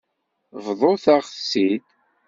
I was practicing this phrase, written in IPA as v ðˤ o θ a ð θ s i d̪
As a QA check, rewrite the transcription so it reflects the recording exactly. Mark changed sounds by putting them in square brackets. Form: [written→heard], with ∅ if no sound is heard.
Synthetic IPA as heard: v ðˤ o θ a [ð→ʁ] θ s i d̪